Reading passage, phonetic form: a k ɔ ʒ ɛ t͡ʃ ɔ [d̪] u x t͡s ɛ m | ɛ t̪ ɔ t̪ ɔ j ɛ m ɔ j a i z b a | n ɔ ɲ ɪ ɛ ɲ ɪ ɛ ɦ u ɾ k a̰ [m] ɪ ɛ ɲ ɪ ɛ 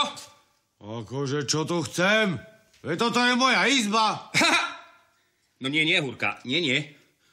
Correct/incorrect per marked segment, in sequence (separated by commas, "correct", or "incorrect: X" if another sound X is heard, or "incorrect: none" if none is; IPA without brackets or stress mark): incorrect: t̪, incorrect: ɲ